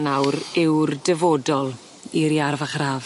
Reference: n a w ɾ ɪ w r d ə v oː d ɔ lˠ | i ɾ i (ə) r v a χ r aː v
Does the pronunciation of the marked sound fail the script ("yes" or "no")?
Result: yes